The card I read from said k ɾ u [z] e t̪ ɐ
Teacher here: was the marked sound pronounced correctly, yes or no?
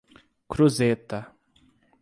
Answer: yes